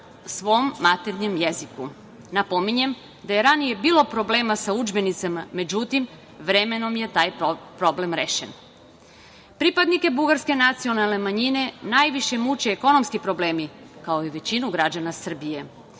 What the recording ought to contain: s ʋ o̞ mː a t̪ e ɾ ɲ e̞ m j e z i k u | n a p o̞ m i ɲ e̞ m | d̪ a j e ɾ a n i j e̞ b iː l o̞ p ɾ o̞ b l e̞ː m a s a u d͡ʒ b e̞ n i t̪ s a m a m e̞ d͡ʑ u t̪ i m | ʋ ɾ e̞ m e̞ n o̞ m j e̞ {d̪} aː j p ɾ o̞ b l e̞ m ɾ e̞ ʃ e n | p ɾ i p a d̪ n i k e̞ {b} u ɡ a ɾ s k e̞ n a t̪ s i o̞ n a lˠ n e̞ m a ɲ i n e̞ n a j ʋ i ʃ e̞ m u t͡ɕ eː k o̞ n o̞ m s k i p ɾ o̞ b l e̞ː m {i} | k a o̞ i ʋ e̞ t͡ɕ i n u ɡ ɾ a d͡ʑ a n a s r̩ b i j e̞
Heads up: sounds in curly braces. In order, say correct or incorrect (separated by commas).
incorrect, correct, correct